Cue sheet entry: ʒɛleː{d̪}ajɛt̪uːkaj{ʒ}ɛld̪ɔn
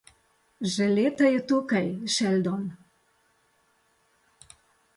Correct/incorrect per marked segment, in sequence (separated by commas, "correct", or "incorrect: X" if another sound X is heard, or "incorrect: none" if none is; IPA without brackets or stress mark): incorrect: t̪, incorrect: ʃ